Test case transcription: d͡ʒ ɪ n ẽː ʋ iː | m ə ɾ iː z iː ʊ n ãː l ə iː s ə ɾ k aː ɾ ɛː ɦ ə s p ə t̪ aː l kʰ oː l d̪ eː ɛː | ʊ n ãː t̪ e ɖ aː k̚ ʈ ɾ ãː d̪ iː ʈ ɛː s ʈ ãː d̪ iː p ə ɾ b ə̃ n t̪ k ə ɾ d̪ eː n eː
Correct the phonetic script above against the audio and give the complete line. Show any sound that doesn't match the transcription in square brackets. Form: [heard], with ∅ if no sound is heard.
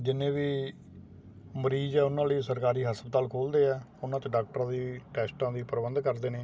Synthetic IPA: d͡ʒ ɪ n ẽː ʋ iː | m ə ɾ iː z [ɛː] ʊ n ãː l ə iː s ə ɾ k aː ɾ [iː] ɦ ə s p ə t̪ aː l kʰ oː l d̪ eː ɛː | ʊ n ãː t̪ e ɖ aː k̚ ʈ ɾ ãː d̪ iː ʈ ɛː s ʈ ãː d̪ iː p ə ɾ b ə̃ n [d̪] k ə ɾ d̪ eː n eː